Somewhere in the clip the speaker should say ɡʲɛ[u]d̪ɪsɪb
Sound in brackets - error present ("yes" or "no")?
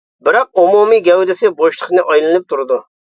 yes